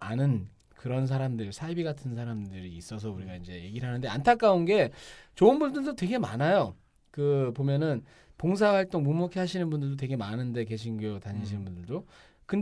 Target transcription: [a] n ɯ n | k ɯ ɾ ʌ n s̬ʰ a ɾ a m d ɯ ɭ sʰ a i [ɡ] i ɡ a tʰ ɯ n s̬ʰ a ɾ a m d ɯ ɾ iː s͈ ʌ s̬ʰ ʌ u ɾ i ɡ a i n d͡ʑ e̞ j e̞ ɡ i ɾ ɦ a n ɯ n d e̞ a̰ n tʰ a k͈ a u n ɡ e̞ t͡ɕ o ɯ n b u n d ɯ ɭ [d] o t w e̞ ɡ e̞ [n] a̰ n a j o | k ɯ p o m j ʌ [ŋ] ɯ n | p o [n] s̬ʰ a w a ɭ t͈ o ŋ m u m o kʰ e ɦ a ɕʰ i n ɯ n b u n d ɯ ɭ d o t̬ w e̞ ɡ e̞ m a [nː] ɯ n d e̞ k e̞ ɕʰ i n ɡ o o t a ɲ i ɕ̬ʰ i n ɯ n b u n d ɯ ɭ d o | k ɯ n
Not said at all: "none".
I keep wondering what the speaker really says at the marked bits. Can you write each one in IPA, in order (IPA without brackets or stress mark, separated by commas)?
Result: a, b, d, m, n, ŋ, n